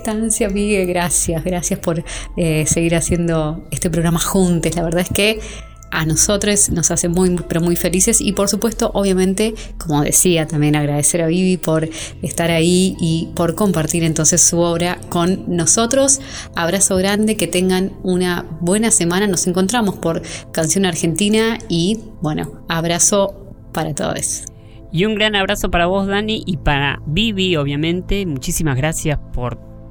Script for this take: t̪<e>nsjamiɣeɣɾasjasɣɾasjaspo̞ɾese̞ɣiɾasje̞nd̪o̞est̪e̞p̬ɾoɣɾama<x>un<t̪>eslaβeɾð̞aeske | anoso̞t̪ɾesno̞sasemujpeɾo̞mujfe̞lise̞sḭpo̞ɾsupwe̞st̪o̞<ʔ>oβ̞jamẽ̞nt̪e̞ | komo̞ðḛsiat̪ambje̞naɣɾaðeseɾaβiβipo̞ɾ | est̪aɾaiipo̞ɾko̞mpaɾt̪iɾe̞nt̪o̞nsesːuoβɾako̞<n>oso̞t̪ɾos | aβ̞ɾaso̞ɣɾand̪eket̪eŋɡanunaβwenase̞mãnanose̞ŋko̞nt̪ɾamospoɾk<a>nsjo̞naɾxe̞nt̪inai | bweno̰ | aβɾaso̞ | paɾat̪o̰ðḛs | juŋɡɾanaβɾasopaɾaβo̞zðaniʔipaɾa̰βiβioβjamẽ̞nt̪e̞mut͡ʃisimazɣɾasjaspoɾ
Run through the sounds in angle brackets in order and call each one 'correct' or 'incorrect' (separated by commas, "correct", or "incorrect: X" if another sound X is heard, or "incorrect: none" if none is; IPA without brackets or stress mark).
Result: incorrect: a, correct, correct, correct, incorrect: nː, correct